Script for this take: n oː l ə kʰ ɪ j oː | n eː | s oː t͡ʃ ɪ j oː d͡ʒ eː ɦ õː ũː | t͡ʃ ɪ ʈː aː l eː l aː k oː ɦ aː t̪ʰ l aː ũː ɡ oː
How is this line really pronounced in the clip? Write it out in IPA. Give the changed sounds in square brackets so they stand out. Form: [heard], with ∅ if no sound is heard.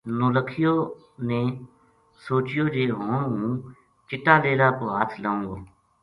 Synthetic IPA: n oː l ə kʰ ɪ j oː | n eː | s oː t͡ʃ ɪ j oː d͡ʒ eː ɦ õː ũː | t͡ʃ ɪ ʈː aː l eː l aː k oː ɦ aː t̪ʰ l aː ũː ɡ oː